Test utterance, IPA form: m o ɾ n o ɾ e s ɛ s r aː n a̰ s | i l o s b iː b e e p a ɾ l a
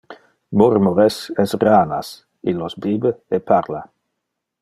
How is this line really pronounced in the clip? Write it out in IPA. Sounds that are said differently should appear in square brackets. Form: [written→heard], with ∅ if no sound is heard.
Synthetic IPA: m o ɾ [n→m] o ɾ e s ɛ s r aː n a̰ s | i l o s b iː b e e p a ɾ l a